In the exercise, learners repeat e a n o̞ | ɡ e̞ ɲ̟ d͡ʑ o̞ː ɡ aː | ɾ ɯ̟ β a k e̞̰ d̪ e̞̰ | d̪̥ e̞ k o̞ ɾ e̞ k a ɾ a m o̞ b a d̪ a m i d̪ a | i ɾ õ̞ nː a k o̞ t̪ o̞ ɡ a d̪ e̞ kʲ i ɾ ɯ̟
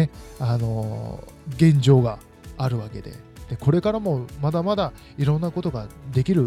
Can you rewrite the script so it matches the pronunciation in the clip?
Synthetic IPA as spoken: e a n o̞ | ɡ ẽ̞ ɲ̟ d͡ʑ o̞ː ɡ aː | ɾ ɯ̟ β a k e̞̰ d̪ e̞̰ | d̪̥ e̞ k o̞ ɾ e̞ k a ɾ a m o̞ m a d̪ a m a d̪ a | i ɾ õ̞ nː a k o̞ t̪ o̞ ɡ a d̪ e̞ kʲ i ɾ ɯ̟